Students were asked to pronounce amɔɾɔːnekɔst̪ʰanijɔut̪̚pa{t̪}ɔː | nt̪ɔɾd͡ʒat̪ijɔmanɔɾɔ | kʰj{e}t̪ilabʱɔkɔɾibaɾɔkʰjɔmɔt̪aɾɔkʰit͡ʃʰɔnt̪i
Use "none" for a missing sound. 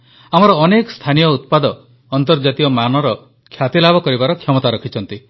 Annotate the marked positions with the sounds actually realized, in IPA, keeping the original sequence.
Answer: d̪, a

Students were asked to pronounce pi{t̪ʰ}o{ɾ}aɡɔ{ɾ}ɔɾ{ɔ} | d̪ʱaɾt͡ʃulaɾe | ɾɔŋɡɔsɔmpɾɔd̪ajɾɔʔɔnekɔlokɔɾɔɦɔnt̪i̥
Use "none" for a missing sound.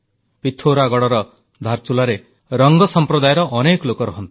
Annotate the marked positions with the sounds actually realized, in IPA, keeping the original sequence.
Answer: t̪ʰ, ɾ, ɽ, ɔ

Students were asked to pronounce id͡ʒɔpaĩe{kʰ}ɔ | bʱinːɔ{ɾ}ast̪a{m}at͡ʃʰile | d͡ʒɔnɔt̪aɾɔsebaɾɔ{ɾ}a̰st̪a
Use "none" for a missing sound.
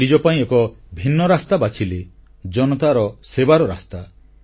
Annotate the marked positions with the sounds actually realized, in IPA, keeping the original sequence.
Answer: k, ɾ, b, ɾ

